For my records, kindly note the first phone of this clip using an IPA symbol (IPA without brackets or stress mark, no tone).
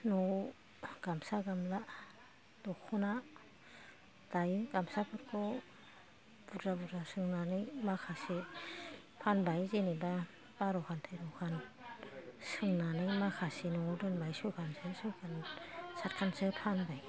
n